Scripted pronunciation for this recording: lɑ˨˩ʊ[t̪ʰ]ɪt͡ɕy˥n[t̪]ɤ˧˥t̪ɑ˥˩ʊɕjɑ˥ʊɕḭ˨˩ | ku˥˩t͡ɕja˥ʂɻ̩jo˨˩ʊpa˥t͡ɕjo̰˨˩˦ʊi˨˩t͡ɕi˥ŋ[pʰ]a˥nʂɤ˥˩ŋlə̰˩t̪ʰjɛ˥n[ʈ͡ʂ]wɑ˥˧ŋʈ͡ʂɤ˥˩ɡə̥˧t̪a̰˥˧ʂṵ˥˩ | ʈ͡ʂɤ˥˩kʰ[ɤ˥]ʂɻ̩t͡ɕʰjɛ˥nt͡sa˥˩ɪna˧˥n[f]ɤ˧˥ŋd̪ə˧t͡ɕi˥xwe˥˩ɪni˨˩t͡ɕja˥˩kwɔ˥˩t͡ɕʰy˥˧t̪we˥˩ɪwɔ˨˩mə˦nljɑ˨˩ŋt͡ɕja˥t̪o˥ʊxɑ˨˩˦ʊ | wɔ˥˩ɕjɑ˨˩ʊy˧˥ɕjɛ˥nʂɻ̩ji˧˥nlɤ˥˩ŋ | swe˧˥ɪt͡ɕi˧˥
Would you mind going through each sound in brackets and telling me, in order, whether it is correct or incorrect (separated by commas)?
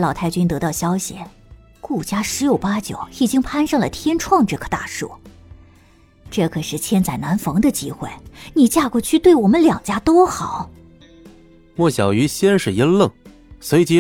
correct, correct, correct, incorrect, incorrect, correct